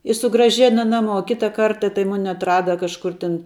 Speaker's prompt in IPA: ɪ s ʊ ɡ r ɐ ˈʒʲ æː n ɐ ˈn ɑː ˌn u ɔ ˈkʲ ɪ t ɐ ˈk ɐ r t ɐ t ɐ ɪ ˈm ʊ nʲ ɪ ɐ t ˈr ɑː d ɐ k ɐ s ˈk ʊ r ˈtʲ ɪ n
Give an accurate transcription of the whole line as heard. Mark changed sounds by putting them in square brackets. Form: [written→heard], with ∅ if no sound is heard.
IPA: ɪ s ʊ ɡ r ɐ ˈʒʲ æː n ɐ ˈn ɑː [ˌn→ˌm] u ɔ ˈkʲ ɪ t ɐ ˈk ɐ r t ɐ t ɐ ɪ ˈm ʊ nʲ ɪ ɐ t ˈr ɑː d ɐ k ɐ [s→ʃ] ˈk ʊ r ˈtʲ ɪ n